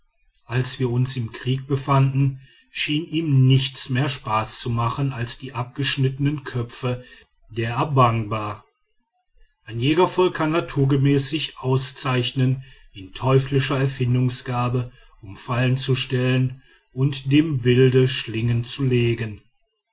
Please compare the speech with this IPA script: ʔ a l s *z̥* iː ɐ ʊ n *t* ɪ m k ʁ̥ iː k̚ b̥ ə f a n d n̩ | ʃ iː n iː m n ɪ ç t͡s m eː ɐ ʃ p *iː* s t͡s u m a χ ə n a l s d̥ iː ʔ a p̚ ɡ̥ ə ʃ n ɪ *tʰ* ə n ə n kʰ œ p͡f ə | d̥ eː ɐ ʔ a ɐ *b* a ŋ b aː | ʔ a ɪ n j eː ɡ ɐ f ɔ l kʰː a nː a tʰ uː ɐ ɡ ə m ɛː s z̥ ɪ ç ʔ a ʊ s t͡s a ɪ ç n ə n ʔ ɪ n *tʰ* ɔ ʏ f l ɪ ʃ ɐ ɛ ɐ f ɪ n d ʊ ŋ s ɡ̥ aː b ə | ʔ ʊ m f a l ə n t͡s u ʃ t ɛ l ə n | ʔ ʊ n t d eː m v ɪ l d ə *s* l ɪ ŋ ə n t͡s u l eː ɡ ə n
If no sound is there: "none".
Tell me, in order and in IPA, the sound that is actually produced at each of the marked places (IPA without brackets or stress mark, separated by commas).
v̥, s, aː, t, b, tʰ, ʃ